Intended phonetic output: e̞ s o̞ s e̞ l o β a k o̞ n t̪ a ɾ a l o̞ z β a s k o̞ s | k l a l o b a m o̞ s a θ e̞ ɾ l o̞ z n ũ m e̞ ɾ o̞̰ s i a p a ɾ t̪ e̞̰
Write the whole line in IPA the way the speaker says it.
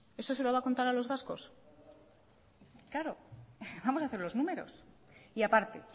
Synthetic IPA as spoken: e̞ s o̞ s e̞ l o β a k o̞ n t̪ a ɾ a l o̞ z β a s k o̞ s | k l a ɾ o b a m o̞ s a θ e̞ ɾ l o̞ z n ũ m e̞ ɾ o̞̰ s i a p a ɾ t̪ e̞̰